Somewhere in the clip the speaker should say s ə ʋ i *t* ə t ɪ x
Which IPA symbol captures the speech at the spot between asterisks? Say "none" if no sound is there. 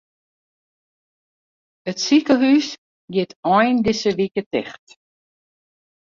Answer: k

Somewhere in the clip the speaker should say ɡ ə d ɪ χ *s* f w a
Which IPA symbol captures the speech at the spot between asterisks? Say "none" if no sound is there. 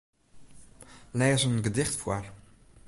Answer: t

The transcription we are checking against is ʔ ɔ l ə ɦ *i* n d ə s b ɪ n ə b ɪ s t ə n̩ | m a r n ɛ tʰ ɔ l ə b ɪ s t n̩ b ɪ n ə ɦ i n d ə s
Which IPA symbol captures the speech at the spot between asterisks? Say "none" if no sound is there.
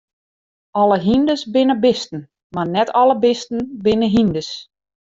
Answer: i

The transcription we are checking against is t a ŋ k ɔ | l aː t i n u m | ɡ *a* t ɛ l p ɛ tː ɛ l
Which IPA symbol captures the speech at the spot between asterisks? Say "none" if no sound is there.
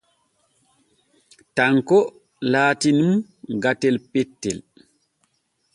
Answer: a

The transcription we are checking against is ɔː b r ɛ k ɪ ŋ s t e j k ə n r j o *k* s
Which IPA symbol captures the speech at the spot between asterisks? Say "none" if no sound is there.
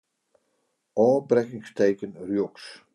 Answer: k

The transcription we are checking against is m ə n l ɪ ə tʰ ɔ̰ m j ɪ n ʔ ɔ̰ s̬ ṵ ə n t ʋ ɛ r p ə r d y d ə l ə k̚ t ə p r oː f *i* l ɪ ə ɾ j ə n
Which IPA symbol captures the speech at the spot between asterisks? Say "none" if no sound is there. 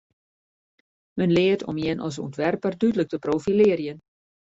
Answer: i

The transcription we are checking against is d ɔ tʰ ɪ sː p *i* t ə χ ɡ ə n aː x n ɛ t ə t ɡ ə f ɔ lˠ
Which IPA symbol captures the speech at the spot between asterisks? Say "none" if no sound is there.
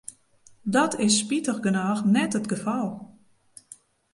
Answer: i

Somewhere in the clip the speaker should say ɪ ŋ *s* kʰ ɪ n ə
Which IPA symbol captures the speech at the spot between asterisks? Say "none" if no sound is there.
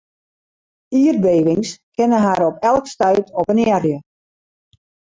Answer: s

